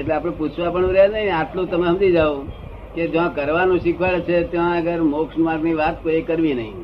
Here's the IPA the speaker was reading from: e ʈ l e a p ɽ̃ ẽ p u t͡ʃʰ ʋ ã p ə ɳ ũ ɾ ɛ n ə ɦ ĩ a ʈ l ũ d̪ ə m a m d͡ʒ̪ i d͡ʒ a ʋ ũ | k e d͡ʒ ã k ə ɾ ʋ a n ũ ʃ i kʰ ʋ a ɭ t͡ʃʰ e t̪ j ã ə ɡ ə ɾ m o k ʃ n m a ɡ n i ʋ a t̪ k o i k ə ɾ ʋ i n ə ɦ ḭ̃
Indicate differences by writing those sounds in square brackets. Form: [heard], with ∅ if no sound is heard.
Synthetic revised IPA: e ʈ l e a p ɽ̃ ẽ p u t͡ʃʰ ʋ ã p ə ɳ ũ ɾ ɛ n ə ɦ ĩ a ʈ l ũ [t̪] ə m a m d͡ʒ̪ i d͡ʒ a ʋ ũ | k e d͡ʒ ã k ə ɾ ʋ a n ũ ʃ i kʰ ʋ a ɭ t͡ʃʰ e t̪ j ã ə ɡ ə ɾ m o k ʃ n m a ɡ n i ʋ a t̪ k o i k ə ɾ ʋ i n ə ɦ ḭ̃